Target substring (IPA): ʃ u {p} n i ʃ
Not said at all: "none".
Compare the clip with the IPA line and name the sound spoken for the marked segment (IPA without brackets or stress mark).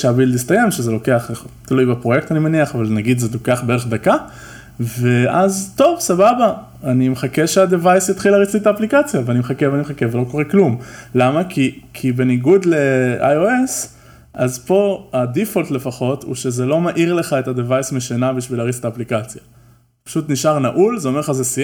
t